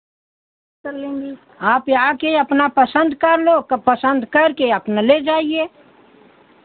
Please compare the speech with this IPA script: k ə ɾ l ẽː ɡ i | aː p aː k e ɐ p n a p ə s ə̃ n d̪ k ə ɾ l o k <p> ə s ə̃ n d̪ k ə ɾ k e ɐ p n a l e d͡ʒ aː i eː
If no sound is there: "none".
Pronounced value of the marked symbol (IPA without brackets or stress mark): p